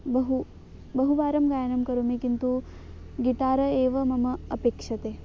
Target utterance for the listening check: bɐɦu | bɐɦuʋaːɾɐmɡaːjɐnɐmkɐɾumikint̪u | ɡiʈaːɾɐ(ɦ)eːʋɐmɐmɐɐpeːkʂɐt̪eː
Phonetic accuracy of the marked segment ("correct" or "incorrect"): incorrect